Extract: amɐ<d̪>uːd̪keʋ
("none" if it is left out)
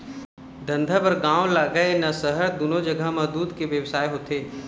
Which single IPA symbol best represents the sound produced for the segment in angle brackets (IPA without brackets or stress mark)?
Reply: d̪